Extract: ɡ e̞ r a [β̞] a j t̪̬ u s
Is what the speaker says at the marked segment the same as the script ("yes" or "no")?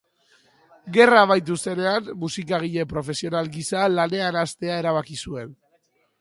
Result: yes